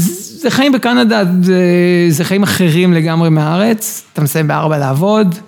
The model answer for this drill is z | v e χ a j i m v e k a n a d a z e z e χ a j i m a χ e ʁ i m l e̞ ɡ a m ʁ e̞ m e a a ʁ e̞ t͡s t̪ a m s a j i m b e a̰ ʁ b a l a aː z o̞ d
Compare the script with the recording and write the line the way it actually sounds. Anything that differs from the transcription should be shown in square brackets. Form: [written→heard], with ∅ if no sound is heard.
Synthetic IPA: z | [v→z] e χ a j i m [v→b] e k a n a d a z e z e χ a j i m a χ e ʁ i m l e̞ ɡ a m ʁ e̞ m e a a ʁ e̞ t͡s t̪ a m s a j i m b e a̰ ʁ b a l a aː [z→v] o̞ d